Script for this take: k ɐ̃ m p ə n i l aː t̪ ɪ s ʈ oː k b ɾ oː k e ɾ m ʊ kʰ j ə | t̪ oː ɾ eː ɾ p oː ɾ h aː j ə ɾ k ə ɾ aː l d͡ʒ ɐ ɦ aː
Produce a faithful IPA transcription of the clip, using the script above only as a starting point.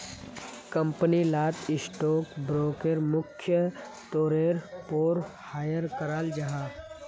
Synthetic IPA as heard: k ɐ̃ m p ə n i l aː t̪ ɪ s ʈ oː k b ɾ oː k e ɾ m ʊ kʰ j ə | t̪ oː ɾ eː ɾ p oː ɾ h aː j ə ɾ k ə ɾ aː l d͡ʒ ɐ ɦ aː